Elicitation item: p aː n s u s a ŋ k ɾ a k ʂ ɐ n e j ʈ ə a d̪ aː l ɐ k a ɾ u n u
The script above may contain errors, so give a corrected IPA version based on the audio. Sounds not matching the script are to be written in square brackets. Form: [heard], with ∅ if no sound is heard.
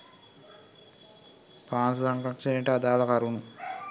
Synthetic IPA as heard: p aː n s u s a ŋ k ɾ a k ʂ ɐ n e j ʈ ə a d̪ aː l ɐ k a ɾ u n u